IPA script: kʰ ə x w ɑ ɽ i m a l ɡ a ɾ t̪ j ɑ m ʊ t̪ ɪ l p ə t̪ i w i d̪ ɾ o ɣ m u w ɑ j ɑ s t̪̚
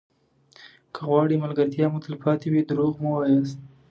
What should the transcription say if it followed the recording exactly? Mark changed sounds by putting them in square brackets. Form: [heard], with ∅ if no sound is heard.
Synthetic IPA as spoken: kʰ ə [ɣ] w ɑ ɽ i m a l ɡ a ɾ t̪ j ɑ m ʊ t̪ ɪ l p [ɑ] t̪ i w i d̪ ɾ o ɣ m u w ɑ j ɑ s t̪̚